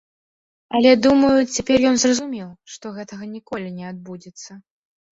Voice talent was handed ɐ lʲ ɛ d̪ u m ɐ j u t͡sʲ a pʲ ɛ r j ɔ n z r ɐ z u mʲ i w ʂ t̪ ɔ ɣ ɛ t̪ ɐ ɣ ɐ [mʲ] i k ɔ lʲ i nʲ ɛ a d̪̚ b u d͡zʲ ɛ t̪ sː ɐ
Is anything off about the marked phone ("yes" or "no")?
yes